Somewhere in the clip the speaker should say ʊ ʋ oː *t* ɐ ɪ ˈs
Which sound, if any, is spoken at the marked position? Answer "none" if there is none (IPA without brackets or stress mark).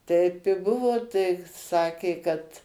t